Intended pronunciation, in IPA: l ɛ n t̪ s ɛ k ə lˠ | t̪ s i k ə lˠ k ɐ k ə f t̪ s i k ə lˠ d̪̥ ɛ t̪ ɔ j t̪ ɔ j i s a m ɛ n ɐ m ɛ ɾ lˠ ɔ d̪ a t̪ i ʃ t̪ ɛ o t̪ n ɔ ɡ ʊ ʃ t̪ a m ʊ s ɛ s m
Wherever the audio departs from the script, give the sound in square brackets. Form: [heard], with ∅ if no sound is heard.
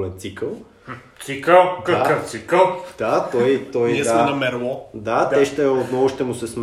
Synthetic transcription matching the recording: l ɛ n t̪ s [i] k ə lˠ | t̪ s i k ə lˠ k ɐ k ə f t̪ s i k ə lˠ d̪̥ [a] t̪ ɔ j t̪ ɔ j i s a m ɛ n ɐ m ɛ ɾ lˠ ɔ d̪ a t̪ [ɛ] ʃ t̪ ɛ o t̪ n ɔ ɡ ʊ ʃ t̪ [ɛ] m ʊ s ɛ s m